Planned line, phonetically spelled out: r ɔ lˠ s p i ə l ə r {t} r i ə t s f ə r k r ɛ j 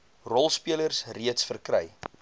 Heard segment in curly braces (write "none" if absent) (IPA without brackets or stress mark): s